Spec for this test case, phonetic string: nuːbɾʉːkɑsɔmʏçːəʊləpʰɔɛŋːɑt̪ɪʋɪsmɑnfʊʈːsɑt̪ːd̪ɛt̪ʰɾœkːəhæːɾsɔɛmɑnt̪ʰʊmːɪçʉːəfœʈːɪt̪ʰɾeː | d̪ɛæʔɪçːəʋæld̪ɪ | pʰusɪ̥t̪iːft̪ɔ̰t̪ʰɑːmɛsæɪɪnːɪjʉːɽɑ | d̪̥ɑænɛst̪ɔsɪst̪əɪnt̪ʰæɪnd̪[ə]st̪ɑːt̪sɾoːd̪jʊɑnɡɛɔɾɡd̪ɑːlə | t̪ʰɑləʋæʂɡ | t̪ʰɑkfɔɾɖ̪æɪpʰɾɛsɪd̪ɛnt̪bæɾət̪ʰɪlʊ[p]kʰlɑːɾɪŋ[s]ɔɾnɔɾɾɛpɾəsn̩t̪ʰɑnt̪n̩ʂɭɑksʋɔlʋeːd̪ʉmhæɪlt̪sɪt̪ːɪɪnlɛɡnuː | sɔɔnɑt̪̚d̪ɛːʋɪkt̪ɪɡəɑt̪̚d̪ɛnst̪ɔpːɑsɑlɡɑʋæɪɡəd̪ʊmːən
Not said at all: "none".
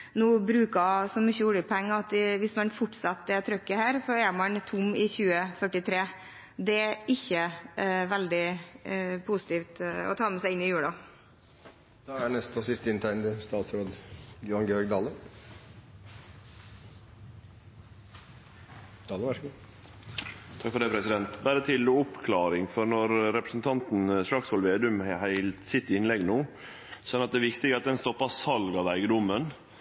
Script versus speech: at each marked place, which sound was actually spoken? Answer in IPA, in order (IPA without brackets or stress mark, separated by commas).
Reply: ə, p, f